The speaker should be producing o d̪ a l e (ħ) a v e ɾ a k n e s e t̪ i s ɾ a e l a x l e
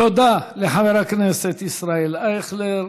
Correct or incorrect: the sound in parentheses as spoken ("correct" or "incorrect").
correct